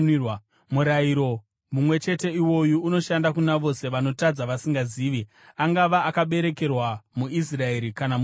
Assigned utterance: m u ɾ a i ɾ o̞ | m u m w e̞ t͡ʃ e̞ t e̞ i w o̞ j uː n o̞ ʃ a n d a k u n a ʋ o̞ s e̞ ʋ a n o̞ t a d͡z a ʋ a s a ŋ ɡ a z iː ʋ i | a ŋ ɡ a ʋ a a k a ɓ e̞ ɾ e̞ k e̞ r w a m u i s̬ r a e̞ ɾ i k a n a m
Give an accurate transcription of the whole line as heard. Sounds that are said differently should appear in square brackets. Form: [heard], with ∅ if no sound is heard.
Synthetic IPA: m u ɾ a i ɾ o̞ | m u m w e̞ t͡ʃ e̞ t e̞ i w o̞ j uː n o̞ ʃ a n d a k u n a ʋ o̞ s e̞ ʋ a n o̞ t a d͡z a ʋ a s [i] ŋ ɡ a z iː ʋ i | a ŋ ɡ a ʋ a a k a ɓ e̞ ɾ e̞ k e̞ r w a m u i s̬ r a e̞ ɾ i k a n a m